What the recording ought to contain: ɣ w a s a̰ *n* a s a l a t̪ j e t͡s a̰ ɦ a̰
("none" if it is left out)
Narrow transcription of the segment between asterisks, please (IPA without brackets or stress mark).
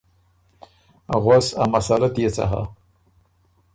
m